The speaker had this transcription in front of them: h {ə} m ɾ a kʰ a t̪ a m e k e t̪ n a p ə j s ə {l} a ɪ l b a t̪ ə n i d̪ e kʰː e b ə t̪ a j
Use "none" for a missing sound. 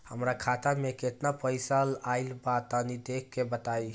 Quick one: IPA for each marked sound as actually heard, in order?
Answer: ə, l

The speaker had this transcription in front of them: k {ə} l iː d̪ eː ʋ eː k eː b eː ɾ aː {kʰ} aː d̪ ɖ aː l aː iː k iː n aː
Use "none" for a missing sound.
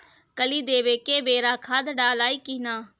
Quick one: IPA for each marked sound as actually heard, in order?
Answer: ə, kʰ

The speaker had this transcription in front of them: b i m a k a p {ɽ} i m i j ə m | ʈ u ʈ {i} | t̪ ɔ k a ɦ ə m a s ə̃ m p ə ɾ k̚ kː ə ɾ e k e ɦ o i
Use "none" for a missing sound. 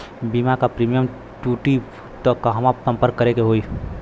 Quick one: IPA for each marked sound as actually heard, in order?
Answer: ɾ, i

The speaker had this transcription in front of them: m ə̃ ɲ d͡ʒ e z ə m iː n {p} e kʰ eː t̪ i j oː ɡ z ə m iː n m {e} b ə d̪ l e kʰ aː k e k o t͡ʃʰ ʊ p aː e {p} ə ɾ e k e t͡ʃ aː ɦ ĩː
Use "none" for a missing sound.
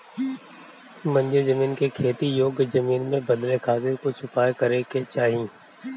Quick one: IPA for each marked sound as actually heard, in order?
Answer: k, ẽ, k

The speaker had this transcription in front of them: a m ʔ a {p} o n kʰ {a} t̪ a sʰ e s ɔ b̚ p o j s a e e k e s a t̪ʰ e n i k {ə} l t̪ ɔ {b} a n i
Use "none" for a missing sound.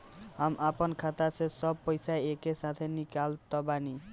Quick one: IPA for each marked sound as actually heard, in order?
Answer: p, a, a, b

